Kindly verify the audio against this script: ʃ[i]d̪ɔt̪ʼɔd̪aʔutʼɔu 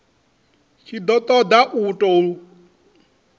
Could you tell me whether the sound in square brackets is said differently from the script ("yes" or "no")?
no